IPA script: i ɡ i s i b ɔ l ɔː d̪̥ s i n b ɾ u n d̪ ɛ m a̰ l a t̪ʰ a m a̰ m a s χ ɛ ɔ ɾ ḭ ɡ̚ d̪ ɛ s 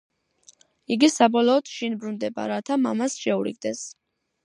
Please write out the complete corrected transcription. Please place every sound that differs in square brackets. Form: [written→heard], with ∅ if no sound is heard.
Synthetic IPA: i ɡ i s [i→a] b ɔ l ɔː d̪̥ [s→ʃ] i n b ɾ u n d̪ ɛ [m→b] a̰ [l→ɾ] a t̪ʰ a m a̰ m a s [χ→ʃ] ɛ [ɔ→u] ɾ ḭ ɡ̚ d̪ ɛ s